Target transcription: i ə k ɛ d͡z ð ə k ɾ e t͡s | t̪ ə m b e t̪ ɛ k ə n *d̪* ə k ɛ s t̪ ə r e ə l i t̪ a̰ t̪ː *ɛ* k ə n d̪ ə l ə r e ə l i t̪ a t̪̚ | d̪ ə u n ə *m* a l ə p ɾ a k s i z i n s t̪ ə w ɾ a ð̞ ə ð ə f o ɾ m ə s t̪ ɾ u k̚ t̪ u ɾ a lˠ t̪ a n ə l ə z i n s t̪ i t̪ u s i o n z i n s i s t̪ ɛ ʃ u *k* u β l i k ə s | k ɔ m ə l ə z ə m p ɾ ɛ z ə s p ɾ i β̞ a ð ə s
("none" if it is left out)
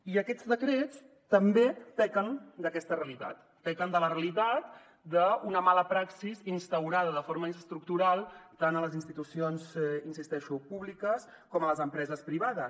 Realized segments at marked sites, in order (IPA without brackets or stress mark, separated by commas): d̪, ɛ, m, p